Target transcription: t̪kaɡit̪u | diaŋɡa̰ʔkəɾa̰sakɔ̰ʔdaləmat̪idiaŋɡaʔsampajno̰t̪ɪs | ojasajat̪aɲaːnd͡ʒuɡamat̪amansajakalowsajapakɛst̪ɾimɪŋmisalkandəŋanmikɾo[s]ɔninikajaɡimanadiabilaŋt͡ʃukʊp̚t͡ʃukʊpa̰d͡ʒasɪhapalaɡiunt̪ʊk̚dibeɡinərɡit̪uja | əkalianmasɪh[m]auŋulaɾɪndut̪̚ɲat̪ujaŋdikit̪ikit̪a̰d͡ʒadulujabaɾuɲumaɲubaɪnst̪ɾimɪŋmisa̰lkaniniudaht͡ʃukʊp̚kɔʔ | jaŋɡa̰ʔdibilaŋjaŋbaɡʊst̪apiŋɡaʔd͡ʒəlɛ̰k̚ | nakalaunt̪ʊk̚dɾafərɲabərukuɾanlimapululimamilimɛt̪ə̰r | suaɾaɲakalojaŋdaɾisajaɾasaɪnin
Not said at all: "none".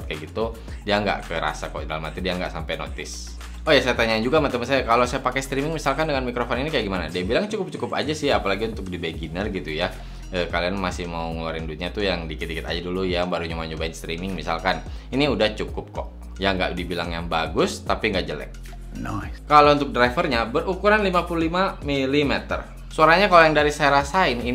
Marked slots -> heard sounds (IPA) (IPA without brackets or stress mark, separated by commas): f, m